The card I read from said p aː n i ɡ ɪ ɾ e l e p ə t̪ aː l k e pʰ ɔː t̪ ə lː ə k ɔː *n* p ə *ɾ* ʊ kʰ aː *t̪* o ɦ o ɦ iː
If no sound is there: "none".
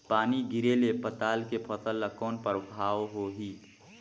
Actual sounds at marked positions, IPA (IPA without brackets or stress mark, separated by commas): n, ɾ, none